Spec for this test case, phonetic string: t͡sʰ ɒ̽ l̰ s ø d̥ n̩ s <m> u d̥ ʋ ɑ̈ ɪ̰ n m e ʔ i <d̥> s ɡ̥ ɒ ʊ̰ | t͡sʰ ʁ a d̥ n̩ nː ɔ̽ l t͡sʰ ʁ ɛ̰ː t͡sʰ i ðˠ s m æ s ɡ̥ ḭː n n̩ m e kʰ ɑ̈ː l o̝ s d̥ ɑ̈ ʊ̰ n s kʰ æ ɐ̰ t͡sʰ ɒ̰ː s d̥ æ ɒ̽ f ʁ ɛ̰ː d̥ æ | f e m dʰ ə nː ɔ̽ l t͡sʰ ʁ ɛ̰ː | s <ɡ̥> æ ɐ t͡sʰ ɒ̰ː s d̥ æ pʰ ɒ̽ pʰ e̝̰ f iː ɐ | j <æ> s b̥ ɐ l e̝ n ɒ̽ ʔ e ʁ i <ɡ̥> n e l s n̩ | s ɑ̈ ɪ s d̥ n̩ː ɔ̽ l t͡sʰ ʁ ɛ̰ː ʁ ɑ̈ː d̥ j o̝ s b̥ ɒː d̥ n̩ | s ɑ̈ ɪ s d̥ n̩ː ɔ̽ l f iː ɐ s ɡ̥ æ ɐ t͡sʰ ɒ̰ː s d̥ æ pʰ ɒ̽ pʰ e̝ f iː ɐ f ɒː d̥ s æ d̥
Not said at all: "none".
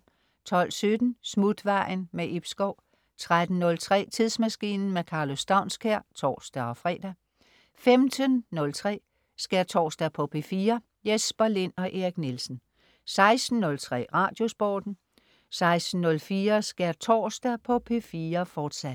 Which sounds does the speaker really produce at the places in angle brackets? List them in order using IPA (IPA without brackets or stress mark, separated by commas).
m, b̥, ɡ̥, e, ɡ̥